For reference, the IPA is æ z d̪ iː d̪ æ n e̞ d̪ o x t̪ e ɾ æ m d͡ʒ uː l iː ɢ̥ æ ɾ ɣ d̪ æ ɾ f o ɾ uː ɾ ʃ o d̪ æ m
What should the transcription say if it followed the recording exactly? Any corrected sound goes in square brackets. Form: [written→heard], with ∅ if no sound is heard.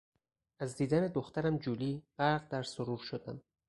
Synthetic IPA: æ z d̪ iː d̪ æ n e̞ d̪ o x t̪ [e→æ] ɾ æ m d͡ʒ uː l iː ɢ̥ æ ɾ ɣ d̪ æ ɾ [f→s] o ɾ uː ɾ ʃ o d̪ æ m